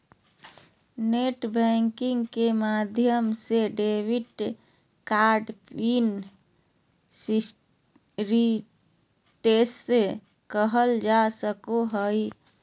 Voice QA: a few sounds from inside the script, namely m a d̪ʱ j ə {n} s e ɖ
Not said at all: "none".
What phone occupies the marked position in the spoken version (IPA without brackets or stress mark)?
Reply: m